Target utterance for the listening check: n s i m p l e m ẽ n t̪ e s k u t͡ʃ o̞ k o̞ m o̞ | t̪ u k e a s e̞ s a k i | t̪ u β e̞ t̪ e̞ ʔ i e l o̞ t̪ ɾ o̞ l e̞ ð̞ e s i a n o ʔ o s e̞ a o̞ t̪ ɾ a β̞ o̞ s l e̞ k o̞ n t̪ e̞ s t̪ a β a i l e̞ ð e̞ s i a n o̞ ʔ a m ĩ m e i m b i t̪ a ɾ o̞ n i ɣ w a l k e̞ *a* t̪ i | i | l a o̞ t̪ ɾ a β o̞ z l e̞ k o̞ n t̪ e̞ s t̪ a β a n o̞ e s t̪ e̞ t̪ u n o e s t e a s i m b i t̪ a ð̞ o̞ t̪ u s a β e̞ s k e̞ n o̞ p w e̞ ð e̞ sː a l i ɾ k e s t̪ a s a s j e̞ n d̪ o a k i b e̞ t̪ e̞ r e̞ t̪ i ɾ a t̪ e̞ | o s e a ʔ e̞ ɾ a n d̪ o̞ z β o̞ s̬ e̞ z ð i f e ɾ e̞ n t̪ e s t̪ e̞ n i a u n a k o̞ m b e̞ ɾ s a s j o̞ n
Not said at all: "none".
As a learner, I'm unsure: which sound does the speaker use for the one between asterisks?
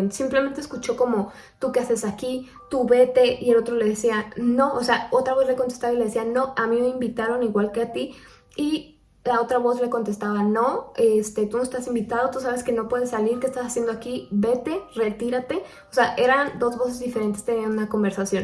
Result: a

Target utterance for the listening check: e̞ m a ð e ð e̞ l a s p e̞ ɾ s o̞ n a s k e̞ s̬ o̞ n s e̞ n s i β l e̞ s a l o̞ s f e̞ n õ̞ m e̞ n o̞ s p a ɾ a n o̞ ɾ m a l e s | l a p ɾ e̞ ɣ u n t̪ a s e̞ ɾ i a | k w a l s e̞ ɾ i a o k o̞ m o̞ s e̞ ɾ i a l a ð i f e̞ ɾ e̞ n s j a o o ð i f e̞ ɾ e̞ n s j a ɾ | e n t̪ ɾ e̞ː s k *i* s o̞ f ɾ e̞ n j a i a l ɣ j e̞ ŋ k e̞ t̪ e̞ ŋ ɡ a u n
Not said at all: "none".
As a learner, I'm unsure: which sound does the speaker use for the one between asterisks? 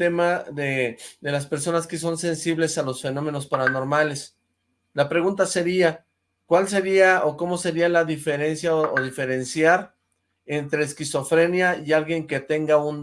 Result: i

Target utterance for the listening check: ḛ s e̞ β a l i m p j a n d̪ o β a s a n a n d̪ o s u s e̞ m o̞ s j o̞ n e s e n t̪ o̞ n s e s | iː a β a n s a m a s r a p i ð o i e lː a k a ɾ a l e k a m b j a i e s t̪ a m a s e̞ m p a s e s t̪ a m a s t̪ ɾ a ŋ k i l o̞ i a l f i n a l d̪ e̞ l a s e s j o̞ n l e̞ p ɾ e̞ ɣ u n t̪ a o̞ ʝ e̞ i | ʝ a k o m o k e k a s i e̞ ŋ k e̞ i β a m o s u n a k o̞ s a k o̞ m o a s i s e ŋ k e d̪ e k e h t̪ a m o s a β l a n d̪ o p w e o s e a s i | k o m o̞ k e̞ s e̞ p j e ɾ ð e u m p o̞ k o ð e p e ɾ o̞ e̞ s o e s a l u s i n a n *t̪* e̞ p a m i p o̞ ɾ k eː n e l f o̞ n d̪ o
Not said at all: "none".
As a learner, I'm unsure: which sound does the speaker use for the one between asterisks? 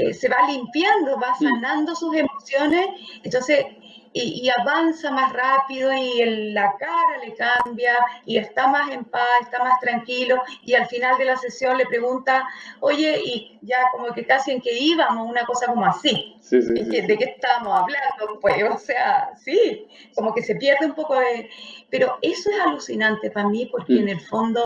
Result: t̪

